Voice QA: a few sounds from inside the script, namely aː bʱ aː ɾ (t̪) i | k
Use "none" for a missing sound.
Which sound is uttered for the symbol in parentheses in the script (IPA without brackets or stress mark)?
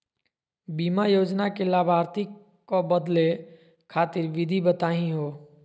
t̪